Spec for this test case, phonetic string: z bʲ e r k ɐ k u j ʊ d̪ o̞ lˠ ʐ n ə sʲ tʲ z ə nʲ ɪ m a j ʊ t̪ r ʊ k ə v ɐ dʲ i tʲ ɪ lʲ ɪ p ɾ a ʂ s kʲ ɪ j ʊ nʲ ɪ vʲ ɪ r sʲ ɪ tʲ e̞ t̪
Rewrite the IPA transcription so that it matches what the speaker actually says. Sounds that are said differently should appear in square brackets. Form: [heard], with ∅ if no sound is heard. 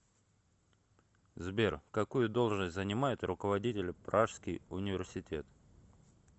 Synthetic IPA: z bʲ e r k ɐ k u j ʊ d̪ o̞ lˠ ʐ n ə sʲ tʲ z ə nʲ ɪ m a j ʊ t̪ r ʊ k ə v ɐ dʲ i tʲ ɪ lʲ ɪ p ɾ a ʂ s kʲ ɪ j ʊ nʲ ɪ vʲ ɪ r sʲ ɪ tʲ e̞ t̪